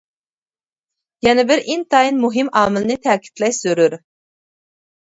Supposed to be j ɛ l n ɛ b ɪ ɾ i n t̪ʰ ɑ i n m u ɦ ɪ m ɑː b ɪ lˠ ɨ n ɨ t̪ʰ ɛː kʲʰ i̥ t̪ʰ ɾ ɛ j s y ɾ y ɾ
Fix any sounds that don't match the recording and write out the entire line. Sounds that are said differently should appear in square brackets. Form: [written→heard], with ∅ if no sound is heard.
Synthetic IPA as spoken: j ɛ [l→∅] n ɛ b ɪ ɾ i n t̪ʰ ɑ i n m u ɦ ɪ m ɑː [b→m] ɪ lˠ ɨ n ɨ t̪ʰ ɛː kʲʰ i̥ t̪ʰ [ɾ→l] ɛ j s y ɾ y ɾ